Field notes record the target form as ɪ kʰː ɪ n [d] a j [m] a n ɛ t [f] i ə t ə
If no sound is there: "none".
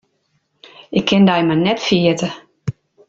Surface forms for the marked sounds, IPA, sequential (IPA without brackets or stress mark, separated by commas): d, m, f